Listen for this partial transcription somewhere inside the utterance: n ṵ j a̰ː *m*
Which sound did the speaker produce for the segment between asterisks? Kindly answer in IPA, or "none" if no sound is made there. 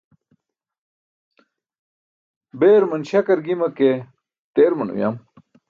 m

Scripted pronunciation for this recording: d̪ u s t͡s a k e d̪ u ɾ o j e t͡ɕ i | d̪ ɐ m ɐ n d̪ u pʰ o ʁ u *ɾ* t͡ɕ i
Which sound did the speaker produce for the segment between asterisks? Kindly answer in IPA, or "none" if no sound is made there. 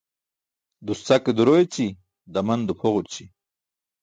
ɾ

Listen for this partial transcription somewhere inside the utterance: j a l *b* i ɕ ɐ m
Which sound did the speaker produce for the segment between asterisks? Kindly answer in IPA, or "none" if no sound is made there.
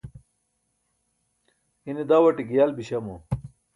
b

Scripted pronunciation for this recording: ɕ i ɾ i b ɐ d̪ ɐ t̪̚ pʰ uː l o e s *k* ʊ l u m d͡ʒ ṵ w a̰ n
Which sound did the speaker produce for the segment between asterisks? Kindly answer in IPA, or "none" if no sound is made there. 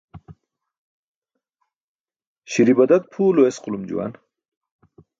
q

